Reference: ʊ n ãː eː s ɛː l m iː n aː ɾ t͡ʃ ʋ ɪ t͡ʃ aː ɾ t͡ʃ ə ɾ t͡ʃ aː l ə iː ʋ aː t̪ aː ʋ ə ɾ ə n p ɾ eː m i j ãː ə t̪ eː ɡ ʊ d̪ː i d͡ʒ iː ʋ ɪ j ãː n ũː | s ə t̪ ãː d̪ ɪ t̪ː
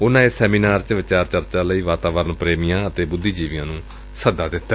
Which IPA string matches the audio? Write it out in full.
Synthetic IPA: ʊ n ãː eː s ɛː m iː n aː ɾ t͡ʃ ʋ ɪ t͡ʃ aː ɾ t͡ʃ ə ɾ t͡ʃ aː l ə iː ʋ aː t̪ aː ʋ ə ɾ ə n p ɾ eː m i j ãː ə t̪ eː b ʊ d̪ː iː d͡ʒ iː ʋ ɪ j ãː n ũː | s ə d̪ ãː d̪ ɪ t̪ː